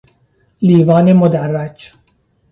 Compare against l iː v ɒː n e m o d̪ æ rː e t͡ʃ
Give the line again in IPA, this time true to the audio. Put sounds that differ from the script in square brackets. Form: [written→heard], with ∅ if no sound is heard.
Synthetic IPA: l iː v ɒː n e m o d̪ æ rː [e→æ] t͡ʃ